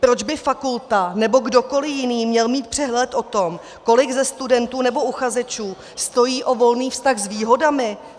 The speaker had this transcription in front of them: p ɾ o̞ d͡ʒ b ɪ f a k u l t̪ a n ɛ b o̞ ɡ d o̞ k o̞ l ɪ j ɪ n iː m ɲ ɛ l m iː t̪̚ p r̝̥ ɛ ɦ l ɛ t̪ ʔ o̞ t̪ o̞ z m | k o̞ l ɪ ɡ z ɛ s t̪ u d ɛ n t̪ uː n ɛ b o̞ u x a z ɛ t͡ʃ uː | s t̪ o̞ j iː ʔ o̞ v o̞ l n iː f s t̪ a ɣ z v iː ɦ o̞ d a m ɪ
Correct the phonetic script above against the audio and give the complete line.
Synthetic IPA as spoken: p ɾ o̞ d͡ʒ b ɪ f a k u l t̪ a n ɛ b o̞ ɡ d o̞ k o̞ l ɪ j ɪ n iː m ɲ ɛ l m iː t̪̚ p r̝̥ ɛ ɦ l ɛ t̪ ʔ o̞ t̪ o̞ m | k o̞ l ɪ ɡ z ɛ s t̪ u d ɛ n t̪ uː n ɛ b o̞ u x a z ɛ t͡ʃ uː | s t̪ o̞ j iː ʔ o̞ v o̞ l n iː f s t̪ a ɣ z v iː ɦ o̞ d a m ɪ